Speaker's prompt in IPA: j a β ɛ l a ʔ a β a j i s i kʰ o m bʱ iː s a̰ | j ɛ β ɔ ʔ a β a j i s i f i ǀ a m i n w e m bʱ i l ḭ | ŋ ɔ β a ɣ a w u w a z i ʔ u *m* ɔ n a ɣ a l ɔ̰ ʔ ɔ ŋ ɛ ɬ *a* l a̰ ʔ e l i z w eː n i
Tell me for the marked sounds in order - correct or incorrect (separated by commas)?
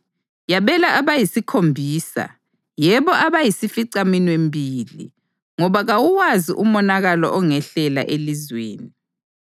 correct, incorrect